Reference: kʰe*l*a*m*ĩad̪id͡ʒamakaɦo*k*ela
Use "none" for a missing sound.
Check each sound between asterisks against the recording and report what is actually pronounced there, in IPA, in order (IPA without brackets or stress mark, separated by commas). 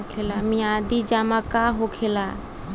l, m, kʰ